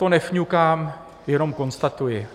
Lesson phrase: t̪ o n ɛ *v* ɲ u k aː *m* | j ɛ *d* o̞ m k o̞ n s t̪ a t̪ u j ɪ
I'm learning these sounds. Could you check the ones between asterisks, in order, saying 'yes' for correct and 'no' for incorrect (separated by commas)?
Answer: no, yes, no